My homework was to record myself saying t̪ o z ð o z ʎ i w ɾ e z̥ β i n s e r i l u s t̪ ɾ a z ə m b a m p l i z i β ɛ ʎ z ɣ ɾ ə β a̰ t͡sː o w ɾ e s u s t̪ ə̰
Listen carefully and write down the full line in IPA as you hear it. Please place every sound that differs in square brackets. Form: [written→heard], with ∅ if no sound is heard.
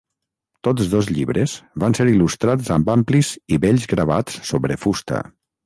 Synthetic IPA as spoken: t̪ o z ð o z ʎ i [w→β] ɾ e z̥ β [i→a] n s e [r→ɾ] i l u s t̪ ɾ a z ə m b a m p l i z i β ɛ ʎ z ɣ ɾ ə β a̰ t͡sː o [w→β] ɾ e [s→f] u s t̪ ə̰